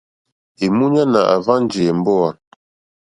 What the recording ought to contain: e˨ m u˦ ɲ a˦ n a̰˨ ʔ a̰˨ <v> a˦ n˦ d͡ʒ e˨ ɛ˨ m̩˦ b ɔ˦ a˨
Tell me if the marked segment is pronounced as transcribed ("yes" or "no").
yes